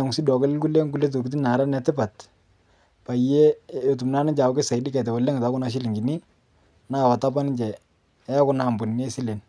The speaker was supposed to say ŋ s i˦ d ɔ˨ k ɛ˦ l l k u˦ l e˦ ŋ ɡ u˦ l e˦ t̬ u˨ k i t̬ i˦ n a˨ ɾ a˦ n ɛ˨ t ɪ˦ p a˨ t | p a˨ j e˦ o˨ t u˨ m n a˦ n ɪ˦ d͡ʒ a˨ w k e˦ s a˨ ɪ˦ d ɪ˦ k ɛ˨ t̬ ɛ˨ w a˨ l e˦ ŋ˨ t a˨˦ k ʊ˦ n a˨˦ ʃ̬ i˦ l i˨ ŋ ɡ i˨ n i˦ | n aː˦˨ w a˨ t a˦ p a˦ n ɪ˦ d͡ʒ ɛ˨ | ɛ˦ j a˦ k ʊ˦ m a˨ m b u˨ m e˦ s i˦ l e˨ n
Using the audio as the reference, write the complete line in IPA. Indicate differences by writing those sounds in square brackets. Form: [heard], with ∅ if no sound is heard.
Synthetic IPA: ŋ s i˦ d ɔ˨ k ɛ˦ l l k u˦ l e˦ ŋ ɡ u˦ l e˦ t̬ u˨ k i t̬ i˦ n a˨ ɾ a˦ n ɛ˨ t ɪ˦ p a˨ t | p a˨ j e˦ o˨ t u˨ m n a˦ n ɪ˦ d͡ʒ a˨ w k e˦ s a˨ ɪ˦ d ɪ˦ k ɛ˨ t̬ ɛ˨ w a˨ l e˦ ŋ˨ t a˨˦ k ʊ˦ n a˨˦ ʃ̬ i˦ l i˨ ŋ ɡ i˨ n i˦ | n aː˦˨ w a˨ t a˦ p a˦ n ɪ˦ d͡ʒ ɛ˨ | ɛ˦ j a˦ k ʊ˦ [n] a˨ m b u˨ [n] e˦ s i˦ l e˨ n